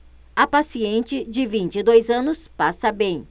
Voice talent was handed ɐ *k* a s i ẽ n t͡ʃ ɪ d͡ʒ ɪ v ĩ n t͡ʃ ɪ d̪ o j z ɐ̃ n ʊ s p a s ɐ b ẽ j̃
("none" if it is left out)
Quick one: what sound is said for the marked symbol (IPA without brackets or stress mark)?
p